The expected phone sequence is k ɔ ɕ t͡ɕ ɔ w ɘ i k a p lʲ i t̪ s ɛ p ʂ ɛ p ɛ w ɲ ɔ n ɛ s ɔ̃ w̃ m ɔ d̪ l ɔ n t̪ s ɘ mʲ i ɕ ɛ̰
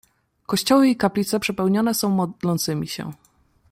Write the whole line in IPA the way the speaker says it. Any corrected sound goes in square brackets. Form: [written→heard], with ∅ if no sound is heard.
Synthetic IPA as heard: k ɔ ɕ t͡ɕ ɔ w ɘ i k a p lʲ i t̪ s ɛ p ʂ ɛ p ɛ w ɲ ɔ n ɛ s ɔ̃ w̃ m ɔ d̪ l ɔ n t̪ s ɘ mʲ i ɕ ɛ̰